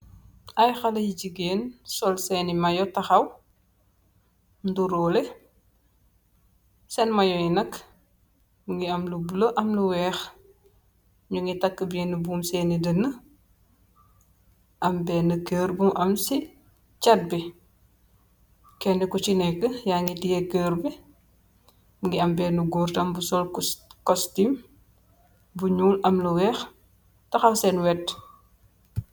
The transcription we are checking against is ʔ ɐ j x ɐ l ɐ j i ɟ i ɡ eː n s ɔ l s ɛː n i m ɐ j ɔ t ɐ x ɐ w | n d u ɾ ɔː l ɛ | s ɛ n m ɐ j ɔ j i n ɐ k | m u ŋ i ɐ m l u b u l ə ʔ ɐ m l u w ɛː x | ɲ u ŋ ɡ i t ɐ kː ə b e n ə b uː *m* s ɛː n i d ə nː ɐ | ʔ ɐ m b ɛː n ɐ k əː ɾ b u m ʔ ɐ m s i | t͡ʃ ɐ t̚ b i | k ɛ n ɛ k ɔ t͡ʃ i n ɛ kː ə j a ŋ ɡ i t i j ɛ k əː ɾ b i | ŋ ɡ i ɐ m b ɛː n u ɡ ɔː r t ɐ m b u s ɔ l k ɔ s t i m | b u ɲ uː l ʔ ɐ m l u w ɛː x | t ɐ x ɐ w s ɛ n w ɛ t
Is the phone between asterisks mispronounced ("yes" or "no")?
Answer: no